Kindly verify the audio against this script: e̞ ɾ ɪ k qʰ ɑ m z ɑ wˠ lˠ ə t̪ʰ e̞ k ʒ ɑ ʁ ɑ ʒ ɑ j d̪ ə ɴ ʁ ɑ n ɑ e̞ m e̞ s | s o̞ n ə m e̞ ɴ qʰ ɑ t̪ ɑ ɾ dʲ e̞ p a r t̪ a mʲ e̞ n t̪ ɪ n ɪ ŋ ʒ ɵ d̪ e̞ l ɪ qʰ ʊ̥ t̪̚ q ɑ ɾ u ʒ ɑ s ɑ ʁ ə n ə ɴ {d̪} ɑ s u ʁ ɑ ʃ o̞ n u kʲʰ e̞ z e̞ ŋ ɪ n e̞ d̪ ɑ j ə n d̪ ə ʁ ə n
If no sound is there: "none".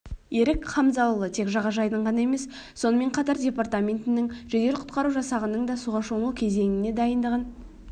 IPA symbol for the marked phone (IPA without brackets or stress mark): d̪